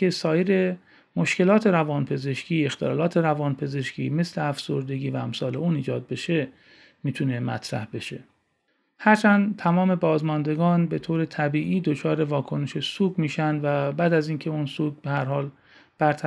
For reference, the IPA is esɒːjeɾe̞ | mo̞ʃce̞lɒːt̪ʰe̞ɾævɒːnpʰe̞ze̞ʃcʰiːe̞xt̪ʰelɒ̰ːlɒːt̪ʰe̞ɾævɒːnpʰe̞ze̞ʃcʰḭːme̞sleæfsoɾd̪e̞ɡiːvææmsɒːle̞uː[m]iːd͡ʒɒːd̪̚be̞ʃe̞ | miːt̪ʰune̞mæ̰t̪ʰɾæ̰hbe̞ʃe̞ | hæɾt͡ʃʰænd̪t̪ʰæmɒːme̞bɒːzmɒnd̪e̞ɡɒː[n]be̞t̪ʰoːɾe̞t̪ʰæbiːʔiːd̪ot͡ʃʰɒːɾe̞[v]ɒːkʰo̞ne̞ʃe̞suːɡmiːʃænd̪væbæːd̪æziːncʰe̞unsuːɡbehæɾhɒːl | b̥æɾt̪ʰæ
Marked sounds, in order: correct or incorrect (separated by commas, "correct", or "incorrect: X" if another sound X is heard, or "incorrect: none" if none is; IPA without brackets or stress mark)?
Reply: incorrect: n, correct, correct